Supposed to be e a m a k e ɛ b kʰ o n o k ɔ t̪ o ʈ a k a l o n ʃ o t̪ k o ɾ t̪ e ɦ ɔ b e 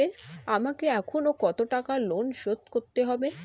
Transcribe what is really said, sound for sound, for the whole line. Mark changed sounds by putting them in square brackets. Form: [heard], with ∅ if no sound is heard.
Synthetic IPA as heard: e a m a k e ɛ [∅] kʰ o n o k ɔ t̪ o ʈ a k a l o n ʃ o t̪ k o ɾ t̪ e ɦ ɔ b e